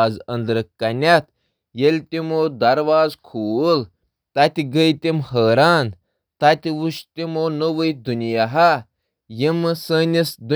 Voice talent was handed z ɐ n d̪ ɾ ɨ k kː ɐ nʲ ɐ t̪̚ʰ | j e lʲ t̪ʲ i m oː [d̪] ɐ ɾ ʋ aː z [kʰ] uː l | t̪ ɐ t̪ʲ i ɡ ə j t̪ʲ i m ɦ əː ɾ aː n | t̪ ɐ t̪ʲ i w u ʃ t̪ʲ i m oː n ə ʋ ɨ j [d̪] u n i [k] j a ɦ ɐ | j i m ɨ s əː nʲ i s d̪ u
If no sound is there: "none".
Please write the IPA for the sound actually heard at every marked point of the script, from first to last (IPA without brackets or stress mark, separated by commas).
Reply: d̪, kʰ, d̪, none